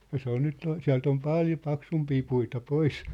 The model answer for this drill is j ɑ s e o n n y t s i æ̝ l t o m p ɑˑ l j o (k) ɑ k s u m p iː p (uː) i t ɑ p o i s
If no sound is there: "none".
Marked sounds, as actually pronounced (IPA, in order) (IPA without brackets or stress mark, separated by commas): p, u